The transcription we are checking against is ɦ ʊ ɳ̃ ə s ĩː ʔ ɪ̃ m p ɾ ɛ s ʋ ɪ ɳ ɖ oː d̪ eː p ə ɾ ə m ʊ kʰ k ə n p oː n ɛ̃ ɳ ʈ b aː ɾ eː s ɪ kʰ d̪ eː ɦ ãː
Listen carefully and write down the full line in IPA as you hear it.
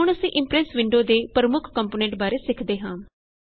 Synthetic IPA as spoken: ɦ ʊ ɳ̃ ə s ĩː ʔ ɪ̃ m p ɾ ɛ s ʋ ɪ ɳ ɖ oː d̪ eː p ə ɾ ə m ʊ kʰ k ə m p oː n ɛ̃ ɳ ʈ b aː ɾ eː s ɪ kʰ d̪ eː ɦ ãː